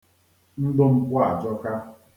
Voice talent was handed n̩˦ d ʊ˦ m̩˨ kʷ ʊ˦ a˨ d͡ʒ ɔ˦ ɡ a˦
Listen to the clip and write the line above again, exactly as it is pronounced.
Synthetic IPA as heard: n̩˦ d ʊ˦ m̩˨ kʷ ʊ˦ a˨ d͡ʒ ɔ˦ k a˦